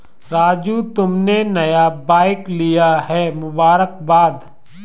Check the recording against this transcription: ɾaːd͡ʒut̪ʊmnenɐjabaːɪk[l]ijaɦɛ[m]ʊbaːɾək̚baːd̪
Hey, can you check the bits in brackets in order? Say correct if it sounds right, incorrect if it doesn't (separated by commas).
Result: correct, correct